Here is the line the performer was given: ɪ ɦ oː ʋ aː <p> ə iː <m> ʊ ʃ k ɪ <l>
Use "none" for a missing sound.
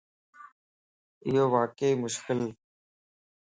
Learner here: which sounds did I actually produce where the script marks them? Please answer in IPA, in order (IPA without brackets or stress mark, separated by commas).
k, m, l